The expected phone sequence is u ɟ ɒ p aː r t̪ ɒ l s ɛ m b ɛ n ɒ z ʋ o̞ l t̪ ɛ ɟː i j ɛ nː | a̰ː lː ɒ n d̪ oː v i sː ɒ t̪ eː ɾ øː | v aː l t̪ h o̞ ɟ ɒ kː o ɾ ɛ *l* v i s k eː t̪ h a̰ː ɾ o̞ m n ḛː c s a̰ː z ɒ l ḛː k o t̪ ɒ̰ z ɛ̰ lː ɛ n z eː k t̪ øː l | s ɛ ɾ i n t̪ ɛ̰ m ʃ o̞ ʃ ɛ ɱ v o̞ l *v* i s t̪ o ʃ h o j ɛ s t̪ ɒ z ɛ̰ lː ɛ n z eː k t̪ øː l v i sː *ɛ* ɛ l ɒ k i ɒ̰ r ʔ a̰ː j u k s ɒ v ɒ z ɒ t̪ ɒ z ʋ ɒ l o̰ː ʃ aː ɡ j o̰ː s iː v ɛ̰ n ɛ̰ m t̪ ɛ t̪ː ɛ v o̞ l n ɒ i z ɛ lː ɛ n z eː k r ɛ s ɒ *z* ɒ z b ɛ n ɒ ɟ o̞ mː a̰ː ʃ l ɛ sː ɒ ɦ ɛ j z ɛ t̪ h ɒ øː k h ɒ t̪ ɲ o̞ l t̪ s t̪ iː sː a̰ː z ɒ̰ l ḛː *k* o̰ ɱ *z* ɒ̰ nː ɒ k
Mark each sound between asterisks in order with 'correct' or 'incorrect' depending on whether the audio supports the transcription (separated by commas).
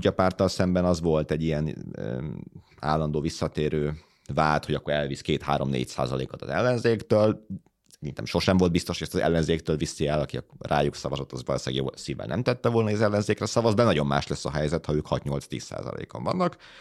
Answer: correct, incorrect, incorrect, incorrect, correct, incorrect